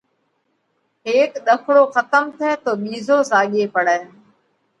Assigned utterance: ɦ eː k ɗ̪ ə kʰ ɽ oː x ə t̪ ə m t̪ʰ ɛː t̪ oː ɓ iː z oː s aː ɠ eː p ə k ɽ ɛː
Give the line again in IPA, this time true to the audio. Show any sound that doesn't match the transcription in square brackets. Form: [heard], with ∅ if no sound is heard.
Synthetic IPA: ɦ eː k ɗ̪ ə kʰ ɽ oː x ə t̪ ə m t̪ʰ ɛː t̪ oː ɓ iː z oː s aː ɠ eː p ə [∅] ɽ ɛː

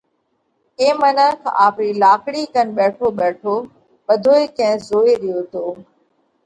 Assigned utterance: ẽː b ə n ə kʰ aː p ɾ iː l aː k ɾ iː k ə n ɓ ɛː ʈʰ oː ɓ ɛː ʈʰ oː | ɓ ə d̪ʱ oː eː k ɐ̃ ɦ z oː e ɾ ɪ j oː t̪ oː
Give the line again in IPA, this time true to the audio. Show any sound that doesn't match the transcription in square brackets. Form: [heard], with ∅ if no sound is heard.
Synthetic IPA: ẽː [m] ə n ə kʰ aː p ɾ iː l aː k [ɽ] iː k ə n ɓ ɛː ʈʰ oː ɓ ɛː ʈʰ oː | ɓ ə d̪ʱ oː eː k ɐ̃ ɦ z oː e ɾ ɪ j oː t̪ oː

